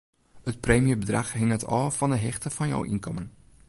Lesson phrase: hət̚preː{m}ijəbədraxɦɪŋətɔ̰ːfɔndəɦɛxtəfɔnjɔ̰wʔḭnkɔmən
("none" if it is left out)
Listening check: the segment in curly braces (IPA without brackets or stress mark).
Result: m